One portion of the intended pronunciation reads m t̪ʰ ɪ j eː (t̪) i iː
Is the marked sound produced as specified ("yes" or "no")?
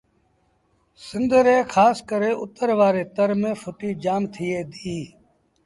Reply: no